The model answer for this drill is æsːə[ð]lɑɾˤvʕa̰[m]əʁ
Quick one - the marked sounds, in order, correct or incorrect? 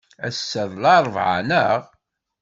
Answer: correct, incorrect

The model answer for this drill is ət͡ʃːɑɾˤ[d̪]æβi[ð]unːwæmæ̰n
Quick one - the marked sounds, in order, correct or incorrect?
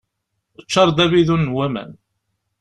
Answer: correct, correct

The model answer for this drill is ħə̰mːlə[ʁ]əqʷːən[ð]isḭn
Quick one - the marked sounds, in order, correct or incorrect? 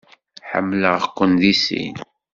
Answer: correct, correct

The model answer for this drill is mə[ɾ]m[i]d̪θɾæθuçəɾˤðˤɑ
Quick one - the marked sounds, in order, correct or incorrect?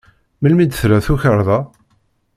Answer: incorrect, correct

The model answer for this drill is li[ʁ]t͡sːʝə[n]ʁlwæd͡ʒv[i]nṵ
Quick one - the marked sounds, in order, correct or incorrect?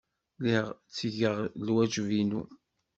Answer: correct, incorrect, correct

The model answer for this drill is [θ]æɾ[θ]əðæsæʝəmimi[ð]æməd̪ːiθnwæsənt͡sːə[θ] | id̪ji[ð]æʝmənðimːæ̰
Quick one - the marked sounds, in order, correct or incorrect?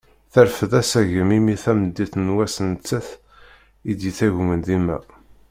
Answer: correct, incorrect, incorrect, correct, incorrect

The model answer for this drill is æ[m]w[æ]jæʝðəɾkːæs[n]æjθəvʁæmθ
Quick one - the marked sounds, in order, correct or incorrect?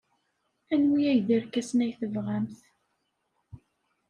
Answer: incorrect, incorrect, correct

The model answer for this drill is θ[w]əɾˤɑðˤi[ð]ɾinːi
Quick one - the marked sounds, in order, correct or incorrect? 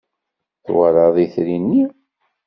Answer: correct, incorrect

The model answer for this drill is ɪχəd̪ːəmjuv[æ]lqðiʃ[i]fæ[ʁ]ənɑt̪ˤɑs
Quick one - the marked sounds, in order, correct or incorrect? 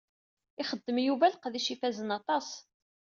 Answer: correct, correct, incorrect

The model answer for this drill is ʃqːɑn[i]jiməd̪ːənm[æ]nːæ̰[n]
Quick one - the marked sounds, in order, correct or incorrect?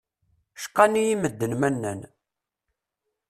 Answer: correct, correct, correct

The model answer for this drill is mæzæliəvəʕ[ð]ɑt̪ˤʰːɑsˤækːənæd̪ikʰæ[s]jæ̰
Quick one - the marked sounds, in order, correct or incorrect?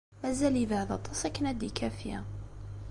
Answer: correct, incorrect

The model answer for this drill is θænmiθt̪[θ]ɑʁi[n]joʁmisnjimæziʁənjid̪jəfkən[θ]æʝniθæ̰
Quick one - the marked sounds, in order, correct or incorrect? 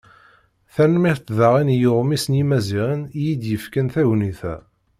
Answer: incorrect, correct, correct

